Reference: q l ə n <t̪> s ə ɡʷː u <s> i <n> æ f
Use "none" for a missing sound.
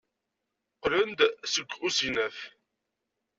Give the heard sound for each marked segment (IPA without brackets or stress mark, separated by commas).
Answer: d̪, s, n